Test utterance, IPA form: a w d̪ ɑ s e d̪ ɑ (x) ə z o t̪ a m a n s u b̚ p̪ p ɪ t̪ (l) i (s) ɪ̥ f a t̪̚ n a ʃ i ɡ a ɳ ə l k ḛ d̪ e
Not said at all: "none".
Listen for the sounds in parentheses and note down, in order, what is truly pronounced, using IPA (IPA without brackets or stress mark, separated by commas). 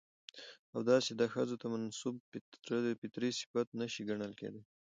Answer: x, ɾ, s